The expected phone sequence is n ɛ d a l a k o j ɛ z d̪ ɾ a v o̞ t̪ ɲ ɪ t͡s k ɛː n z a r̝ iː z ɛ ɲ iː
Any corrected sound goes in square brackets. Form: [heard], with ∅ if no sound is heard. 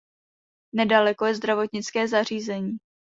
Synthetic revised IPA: n ɛ d a l [ɛ] k o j ɛ z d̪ ɾ a v o̞ t̪ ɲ ɪ t͡s k ɛː [∅] z a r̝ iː z ɛ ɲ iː